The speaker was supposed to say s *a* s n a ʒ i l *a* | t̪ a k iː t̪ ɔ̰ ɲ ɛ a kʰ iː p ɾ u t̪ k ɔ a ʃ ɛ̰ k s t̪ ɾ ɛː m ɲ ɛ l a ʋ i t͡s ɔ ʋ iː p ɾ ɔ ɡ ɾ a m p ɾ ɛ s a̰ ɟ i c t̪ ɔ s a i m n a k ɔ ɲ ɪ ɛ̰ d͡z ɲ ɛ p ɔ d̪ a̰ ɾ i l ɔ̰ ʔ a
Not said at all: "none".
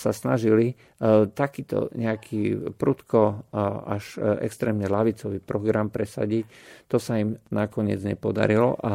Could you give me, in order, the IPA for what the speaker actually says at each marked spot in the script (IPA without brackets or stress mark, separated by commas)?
a, i